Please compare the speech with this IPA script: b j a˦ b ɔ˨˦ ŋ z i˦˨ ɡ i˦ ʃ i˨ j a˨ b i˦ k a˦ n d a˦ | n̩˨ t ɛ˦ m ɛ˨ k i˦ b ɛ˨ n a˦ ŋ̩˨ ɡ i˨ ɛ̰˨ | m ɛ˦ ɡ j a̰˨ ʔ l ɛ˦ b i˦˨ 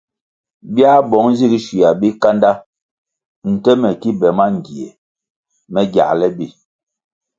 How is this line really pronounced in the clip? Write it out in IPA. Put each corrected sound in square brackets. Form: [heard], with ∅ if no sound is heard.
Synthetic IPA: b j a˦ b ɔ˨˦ ŋ z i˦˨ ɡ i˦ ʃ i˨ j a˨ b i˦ k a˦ n d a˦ | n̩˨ t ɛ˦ m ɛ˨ k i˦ b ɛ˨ [m] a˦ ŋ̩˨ ɡ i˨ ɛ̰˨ | m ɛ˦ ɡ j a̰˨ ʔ l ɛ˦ b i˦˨

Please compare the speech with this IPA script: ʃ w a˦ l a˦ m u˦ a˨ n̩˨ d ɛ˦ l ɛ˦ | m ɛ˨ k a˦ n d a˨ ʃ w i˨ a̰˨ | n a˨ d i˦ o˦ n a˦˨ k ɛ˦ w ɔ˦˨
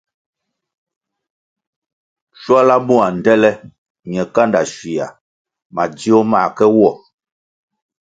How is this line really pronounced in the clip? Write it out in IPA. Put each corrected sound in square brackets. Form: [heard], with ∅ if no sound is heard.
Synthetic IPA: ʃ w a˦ l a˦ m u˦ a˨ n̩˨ d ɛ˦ l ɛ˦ | [ɲ] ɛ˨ k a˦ n d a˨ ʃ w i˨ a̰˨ | [m] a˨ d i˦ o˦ [m] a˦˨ k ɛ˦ w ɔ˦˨

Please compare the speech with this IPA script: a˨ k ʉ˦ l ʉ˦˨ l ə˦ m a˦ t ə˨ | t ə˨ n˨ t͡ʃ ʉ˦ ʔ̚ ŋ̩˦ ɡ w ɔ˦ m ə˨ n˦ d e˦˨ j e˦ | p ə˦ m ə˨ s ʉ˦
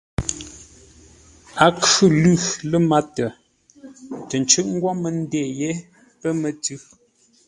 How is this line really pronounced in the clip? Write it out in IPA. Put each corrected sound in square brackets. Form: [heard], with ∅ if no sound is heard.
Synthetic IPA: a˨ k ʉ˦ l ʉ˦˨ l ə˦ m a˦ t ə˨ | t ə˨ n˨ t͡ʃ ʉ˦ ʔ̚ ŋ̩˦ ɡ w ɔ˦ m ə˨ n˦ d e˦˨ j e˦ | p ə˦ m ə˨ [t] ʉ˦

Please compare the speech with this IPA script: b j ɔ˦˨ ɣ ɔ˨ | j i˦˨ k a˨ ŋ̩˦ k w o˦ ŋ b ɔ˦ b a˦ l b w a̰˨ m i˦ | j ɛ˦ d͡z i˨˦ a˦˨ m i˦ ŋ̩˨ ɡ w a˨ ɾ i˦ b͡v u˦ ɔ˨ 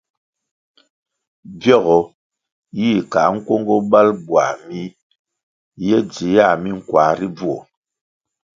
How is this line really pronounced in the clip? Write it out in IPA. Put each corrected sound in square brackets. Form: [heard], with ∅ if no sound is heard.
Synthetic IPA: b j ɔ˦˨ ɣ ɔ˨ | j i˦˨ k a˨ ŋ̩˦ k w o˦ ŋ [ɡ] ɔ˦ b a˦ l b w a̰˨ m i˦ | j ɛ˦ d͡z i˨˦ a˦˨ m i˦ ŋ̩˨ [k] w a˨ ɾ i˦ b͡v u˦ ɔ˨

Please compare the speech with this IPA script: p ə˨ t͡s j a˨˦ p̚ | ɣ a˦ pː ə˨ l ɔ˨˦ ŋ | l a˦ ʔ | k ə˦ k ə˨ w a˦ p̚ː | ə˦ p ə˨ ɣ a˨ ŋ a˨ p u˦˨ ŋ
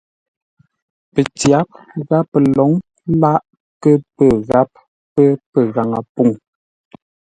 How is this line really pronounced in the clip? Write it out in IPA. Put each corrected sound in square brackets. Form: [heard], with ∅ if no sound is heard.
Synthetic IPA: p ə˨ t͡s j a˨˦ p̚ | ɣ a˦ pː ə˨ l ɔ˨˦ ŋ | l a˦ ʔ | k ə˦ [p] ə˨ [ɣ] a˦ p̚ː | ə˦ p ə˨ ɣ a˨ ŋ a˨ p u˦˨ ŋ

